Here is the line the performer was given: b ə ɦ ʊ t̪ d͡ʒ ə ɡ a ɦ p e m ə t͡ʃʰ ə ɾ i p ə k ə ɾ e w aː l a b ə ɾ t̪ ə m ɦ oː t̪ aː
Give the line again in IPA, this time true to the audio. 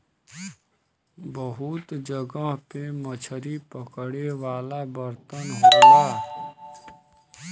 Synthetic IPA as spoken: b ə ɦ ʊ t̪ d͡ʒ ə ɡ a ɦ p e m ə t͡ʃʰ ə ɾ i p ə k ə ɽ e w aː l a b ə ɾ t̪ ə n ɦ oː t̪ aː